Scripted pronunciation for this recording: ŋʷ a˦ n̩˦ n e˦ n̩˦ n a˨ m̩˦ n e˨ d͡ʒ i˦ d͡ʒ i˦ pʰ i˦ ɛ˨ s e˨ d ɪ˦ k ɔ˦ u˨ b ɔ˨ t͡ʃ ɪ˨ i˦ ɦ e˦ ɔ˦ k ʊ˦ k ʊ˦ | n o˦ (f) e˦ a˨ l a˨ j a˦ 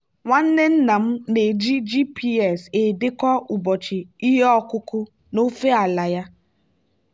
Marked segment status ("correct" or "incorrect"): correct